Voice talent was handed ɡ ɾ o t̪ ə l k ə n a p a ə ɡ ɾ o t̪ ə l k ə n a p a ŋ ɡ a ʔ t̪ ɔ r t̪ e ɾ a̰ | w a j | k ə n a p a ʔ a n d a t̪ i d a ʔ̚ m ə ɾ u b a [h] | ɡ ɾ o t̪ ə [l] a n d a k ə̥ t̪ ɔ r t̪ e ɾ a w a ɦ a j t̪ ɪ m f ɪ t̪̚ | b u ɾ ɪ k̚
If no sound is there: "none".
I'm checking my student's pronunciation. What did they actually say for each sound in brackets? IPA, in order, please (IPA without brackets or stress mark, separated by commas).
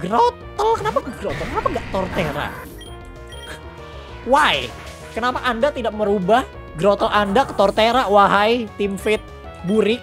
h, l